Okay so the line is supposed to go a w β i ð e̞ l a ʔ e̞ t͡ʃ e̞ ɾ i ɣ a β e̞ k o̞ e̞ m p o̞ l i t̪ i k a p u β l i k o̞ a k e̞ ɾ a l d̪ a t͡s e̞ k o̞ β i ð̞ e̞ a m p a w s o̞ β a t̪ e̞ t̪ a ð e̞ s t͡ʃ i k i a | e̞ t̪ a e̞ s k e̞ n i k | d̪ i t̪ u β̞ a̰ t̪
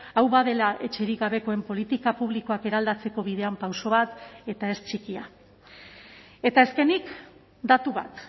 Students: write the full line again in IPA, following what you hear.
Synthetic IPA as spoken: a w β a ð e̞ l a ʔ e̞ t͡ʃ e̞ ɾ i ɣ a β e̞ k o̞ e̞ m p o̞ l i t̪ i k a p u β l i k o̞ a k e̞ ɾ a l d̪ a t͡s e̞ k o̞ β i ð̞ e̞ a m p a w s o̞ β a t̪ e̞ t̪ a e̞ s t͡ʃ i k i a | e̞ t̪ a e̞ s k e̞ n i k | d̪ a t̪ u β̞ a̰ t̪